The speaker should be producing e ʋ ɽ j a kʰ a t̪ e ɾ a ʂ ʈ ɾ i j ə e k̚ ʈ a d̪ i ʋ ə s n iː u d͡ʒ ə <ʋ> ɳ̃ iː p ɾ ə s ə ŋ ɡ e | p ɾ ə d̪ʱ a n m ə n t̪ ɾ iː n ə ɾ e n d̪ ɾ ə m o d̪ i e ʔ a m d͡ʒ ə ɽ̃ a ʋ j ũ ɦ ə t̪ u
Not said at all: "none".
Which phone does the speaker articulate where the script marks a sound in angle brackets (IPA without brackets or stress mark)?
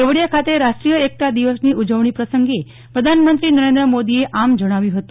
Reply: ʋ